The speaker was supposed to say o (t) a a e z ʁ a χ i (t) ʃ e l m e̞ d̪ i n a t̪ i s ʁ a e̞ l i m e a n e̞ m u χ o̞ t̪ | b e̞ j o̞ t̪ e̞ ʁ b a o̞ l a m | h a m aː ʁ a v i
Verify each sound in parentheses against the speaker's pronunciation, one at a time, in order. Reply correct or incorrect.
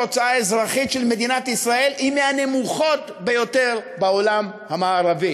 incorrect: t͡s, correct

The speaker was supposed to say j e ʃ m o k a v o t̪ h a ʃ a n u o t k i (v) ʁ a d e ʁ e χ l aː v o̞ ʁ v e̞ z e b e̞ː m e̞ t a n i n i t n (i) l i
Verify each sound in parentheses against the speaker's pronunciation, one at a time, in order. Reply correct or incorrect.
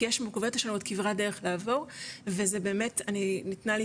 correct, incorrect: a

